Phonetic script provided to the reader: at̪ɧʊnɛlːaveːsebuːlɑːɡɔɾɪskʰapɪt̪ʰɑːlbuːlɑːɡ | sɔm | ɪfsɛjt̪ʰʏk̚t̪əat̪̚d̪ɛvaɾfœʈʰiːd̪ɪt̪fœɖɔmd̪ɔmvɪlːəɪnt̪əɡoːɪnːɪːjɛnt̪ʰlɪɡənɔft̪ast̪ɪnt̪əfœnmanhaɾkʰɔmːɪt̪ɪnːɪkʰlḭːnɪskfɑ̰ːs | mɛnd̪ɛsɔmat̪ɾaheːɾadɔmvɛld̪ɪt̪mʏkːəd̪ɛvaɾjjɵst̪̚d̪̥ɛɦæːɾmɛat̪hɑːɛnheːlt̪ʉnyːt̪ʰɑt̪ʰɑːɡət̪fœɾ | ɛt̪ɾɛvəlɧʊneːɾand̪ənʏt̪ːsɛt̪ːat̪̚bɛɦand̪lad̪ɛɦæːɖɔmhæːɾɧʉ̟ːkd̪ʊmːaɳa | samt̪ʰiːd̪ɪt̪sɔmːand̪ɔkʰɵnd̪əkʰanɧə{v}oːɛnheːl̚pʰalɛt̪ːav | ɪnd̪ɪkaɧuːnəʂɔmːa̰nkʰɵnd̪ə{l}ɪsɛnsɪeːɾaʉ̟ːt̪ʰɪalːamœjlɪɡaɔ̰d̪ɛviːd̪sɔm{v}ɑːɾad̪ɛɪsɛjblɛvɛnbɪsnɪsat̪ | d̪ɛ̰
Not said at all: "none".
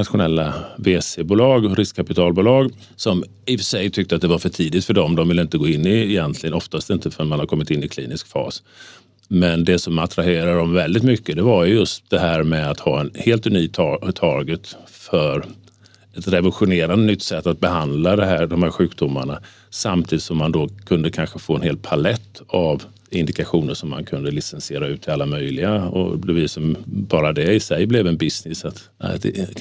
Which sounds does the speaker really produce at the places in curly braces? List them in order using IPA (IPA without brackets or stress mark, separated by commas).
f, l, b